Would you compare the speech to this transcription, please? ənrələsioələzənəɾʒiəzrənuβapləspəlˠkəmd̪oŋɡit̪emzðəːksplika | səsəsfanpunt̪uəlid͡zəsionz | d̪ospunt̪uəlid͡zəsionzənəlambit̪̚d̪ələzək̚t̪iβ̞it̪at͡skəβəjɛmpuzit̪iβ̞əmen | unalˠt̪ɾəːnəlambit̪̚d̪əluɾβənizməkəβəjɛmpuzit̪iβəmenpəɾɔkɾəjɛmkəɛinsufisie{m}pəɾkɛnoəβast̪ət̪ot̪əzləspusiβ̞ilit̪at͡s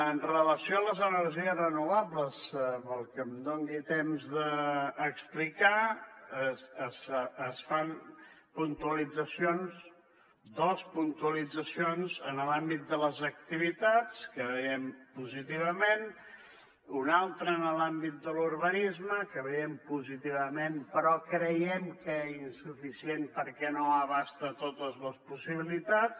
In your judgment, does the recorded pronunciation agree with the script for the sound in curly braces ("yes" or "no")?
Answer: no